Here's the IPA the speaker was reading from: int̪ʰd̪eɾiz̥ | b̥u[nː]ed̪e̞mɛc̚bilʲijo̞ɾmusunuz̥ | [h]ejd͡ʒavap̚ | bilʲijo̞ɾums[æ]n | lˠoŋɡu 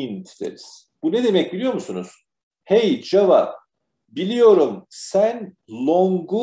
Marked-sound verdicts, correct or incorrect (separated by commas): incorrect, correct, correct